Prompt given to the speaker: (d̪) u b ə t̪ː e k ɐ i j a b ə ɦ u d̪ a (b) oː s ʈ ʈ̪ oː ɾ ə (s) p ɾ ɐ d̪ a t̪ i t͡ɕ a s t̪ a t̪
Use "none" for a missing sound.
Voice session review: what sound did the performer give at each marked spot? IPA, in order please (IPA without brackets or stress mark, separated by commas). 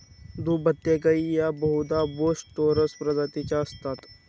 d̪, b, s